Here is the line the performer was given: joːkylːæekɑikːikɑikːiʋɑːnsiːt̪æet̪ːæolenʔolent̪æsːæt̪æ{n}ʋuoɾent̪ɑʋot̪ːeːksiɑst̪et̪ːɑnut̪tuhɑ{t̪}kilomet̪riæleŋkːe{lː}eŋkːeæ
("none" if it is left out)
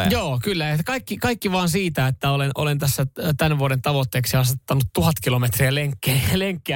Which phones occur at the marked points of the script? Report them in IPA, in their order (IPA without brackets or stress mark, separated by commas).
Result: n, t̪, l